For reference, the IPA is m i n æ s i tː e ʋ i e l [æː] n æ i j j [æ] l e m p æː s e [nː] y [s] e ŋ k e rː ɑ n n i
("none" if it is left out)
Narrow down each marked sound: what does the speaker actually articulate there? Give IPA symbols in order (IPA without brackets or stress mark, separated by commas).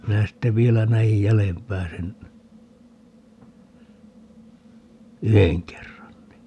æ, æ, n, h